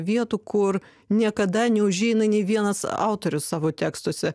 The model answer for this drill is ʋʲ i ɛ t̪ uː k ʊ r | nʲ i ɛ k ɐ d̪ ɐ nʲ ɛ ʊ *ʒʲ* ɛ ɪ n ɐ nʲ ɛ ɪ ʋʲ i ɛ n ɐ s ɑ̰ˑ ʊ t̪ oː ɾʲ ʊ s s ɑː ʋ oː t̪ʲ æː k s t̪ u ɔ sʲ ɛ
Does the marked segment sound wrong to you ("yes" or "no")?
no